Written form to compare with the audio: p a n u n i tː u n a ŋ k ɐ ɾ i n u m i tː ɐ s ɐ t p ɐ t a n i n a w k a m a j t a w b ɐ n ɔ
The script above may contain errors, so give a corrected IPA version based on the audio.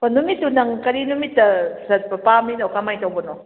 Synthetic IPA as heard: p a n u m i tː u n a ŋ k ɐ ɾ i n u m i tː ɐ s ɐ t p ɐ p a m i n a w k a m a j t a w b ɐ n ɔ